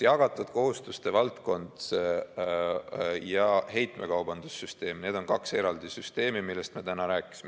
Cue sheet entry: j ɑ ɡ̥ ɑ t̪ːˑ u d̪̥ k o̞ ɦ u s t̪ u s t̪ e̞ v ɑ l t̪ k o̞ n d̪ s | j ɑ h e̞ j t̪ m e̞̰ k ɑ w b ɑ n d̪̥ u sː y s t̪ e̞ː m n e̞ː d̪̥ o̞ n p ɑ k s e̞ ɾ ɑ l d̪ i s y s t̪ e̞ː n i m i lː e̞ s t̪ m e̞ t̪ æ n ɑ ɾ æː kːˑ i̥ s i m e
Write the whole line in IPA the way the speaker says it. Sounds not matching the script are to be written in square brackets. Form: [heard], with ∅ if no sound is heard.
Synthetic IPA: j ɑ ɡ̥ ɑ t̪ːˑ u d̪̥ k o̞ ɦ u s t̪ u s t̪ e̞ v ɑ l t̪ k o̞ n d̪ s | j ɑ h e̞ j t̪ m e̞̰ k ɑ w b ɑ n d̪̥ u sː y s t̪ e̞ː m n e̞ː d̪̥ o̞ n [k] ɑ k s e̞ ɾ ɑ l d̪ i s y s t̪ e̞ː [m] i m i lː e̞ s t̪ m e̞ t̪ æ n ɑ ɾ æː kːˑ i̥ s i m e

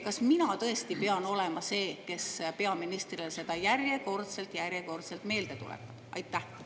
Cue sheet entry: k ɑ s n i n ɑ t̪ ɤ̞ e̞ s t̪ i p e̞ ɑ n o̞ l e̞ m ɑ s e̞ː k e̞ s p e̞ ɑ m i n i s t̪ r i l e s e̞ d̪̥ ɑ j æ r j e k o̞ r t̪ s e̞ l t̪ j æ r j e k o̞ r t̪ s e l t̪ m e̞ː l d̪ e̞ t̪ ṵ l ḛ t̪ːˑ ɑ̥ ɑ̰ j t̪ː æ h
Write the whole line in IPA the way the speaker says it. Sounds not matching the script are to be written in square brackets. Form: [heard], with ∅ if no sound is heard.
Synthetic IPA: k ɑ s [m] i n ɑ t̪ ɤ̞ e̞ s t̪ i p e̞ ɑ n o̞ l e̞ m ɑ s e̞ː k e̞ s p e̞ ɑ m i n i s t̪ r i l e s e̞ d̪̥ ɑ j æ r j e k o̞ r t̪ s e̞ l t̪ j æ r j e k o̞ r t̪ s e l t̪ m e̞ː l d̪ e̞ t̪ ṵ l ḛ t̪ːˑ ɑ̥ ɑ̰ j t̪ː æ h

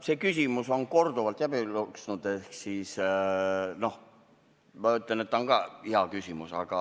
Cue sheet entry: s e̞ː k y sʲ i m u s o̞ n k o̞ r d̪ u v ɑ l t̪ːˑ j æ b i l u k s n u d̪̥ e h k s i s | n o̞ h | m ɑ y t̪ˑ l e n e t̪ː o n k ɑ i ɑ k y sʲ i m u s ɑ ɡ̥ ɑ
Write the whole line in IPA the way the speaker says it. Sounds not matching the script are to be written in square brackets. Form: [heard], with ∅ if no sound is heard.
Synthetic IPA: s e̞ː k y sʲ i m u s o̞ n k o̞ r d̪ u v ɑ l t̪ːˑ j æ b i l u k s n u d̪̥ e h k s i s | n o̞ h | m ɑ y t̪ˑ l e n e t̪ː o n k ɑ i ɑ k y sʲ i m u s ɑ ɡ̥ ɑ

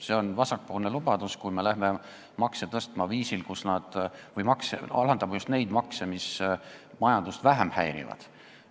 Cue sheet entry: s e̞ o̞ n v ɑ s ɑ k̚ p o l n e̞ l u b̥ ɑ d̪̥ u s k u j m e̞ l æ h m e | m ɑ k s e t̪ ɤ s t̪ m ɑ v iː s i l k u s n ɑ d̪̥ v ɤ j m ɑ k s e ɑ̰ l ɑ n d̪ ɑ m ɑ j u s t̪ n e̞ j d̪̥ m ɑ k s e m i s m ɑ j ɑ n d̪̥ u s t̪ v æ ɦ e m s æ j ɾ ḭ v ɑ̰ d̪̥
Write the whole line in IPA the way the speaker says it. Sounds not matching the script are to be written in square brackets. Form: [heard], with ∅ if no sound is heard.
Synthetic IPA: s e̞ o̞ n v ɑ s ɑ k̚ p o l n e̞ l u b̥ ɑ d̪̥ u s k u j m e̞ l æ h m e | m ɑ k s e t̪ ɤ s t̪ m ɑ v iː s i l k u s n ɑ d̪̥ v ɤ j m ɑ k s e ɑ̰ l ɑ n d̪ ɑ m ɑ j u s t̪ n e̞ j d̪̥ m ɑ k s e m i s m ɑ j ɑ n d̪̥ u s t̪ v æ ɦ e m [h] æ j ɾ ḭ v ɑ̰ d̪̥

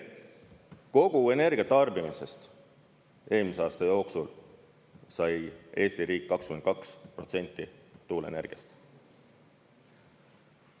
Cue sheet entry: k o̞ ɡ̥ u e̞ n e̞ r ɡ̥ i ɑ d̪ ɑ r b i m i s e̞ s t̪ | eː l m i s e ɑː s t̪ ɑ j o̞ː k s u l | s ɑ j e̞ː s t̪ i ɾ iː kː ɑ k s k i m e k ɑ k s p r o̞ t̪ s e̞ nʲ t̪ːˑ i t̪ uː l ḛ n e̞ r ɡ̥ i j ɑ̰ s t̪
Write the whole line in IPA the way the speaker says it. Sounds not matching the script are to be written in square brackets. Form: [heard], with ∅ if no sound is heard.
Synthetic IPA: k o̞ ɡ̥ u e̞ n e̞ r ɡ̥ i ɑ [t̪] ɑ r b i m i s e̞ s t̪ | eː l m i s e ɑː s t̪ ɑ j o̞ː k s u l | s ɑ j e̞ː s t̪ i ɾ iː kː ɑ k s k [y] m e k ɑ k s p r o̞ t̪ s e̞ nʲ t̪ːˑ i t̪ uː l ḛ n e̞ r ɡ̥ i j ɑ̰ s t̪

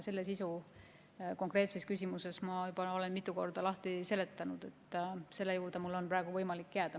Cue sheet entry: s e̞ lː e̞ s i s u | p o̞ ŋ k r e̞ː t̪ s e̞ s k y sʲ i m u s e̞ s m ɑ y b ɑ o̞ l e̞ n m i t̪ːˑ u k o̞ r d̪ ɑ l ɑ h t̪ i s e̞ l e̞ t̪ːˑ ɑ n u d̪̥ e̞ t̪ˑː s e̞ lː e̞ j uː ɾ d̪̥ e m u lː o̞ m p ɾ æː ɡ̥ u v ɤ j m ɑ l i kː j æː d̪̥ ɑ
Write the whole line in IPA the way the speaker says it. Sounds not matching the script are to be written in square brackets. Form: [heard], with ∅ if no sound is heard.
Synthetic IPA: s e̞ lː e̞ s i s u | [k] o̞ ŋ k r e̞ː t̪ s e̞ s k y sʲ i m u s e̞ s m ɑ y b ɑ o̞ l e̞ n m i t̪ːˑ u k o̞ r d̪ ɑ l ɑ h t̪ i s e̞ l e̞ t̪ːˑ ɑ n u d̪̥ e̞ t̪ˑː s e̞ lː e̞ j uː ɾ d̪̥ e m u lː o̞ [n] p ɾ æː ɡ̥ u v ɤ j m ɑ l i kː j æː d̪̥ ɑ

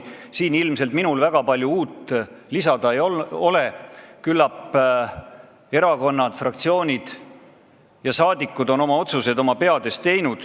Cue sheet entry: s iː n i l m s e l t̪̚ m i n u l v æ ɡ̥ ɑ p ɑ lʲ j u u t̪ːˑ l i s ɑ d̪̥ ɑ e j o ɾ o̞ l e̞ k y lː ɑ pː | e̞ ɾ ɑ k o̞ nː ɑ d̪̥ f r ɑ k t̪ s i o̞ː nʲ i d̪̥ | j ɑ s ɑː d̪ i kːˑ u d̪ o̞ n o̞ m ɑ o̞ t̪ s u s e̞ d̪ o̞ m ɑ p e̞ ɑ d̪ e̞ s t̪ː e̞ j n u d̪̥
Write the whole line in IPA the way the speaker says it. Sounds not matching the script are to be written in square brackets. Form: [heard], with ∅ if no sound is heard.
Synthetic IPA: s iː n i l m s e l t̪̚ m i n u l v æ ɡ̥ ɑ p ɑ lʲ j u [uː] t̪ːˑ l i s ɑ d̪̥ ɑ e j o [∅] o̞ l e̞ k y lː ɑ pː | e̞ ɾ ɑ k o̞ nː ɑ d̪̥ f r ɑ k t̪ s i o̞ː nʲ i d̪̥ | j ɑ s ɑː d̪ i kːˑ u d̪ o̞ n o̞ m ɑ o̞ t̪ s u s e̞ d̪ o̞ m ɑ p e̞ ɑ d̪ e̞ s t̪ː e̞ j n u d̪̥

